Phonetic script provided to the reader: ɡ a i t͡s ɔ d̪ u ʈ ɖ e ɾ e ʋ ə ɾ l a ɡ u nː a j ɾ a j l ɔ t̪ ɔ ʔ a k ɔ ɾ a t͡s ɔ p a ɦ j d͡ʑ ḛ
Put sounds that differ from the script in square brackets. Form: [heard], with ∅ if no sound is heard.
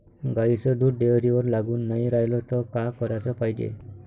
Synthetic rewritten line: ɡ a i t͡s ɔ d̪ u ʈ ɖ e ɾ [i] ʋ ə ɾ l a ɡ [uː] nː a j ɾ a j l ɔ t̪ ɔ [k] a k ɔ ɾ a t͡s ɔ p a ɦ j d͡ʑ ḛ